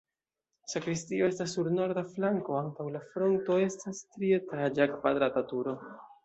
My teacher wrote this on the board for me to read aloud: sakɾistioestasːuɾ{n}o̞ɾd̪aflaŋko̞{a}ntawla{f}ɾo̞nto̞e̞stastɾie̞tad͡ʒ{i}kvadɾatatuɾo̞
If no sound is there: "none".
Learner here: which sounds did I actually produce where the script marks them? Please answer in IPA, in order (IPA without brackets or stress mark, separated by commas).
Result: n, a, f, a